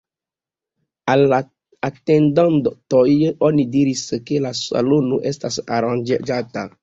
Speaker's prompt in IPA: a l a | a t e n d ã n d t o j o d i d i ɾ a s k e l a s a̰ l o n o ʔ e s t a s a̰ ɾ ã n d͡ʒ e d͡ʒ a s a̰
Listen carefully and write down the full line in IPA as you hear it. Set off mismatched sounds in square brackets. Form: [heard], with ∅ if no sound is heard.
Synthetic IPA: a l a | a t e n d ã n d t o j o [n] i d i ɾ [i] s k e l a s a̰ l o n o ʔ e s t a s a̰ ɾ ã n d͡ʒ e d͡ʒ a [t] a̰